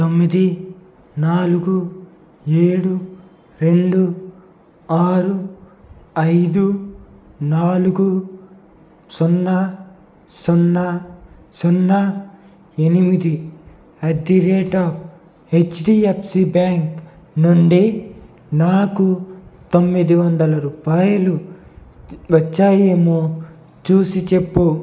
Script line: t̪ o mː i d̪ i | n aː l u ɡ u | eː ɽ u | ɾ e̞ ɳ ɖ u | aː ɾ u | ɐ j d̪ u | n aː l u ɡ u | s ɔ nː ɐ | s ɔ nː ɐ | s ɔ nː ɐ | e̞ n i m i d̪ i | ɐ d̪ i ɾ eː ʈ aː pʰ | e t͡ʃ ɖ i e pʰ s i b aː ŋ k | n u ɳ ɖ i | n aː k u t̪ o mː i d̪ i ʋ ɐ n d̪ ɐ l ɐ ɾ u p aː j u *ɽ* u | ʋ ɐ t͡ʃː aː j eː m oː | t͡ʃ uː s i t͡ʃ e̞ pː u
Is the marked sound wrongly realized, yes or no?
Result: yes